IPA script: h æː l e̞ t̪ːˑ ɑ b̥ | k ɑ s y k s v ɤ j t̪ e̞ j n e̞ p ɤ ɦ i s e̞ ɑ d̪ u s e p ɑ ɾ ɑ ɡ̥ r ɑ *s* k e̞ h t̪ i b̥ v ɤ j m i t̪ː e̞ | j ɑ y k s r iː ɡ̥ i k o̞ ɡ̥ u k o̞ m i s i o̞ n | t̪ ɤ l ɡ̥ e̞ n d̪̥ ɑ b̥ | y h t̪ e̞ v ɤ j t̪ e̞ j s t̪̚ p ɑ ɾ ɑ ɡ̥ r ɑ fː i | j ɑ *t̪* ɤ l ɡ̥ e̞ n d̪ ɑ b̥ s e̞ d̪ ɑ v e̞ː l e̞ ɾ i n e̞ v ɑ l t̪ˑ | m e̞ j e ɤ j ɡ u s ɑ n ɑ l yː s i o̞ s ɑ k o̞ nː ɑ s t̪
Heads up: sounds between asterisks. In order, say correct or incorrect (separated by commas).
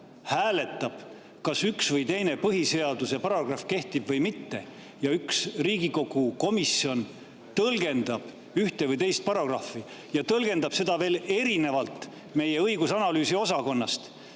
incorrect, correct